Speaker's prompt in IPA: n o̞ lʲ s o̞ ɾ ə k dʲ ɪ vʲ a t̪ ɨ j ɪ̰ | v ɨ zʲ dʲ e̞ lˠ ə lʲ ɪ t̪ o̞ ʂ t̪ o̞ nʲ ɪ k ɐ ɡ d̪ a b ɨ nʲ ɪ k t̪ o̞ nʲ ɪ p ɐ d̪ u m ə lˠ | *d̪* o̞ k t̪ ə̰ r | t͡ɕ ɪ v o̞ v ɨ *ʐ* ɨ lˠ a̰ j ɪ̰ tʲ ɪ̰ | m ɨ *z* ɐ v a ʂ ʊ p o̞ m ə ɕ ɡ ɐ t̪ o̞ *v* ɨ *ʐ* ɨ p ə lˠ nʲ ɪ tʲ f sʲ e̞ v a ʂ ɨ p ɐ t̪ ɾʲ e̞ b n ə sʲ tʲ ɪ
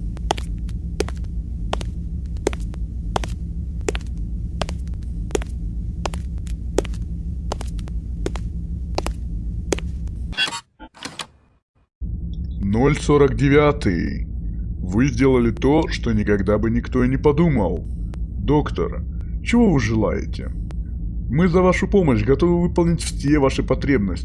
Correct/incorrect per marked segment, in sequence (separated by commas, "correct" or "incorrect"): correct, correct, correct, correct, incorrect